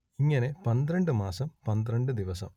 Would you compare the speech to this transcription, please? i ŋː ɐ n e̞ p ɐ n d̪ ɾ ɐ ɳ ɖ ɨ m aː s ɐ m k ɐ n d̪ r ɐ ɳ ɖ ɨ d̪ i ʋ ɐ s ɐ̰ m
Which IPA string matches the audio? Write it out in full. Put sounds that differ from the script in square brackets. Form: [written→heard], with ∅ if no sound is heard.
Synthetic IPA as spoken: i ŋː ɐ n e̞ p ɐ n d̪ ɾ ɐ ɳ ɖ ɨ m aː s ɐ m [k→p] ɐ n d̪ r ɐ ɳ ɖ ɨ d̪ i ʋ ɐ s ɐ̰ m